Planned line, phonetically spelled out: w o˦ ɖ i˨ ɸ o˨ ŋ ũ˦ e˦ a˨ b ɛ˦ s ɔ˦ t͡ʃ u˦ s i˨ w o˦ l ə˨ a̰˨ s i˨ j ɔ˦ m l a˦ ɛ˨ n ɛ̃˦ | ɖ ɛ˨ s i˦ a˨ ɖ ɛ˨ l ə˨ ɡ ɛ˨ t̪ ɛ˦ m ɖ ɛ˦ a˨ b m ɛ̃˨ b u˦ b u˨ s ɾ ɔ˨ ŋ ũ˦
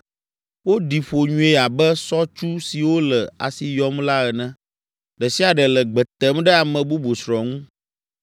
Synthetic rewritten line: w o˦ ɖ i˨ ɸ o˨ ɲ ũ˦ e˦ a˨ b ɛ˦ s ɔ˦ t͡ʃ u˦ s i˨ w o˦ l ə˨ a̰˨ s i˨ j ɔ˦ m l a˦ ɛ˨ n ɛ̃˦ | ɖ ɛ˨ s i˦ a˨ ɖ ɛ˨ l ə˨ ɡ͡b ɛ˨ t̪ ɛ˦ m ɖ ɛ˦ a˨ m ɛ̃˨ b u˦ b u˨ s ɾ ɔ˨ ŋ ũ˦